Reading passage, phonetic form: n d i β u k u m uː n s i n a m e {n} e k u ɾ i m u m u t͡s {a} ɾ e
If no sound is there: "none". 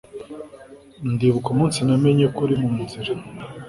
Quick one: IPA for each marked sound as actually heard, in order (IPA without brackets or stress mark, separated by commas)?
ɲ, i